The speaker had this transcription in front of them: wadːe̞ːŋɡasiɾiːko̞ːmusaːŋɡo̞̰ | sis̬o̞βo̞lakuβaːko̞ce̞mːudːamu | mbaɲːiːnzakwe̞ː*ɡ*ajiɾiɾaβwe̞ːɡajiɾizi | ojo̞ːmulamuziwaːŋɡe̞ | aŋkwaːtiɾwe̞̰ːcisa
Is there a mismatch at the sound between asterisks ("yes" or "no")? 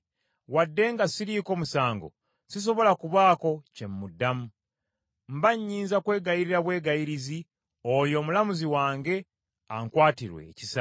no